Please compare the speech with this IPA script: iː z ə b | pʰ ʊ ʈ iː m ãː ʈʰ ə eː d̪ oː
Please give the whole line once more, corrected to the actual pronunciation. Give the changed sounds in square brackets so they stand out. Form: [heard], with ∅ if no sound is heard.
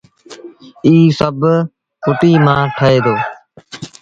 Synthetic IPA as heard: iː [s] ə b | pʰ ʊ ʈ iː m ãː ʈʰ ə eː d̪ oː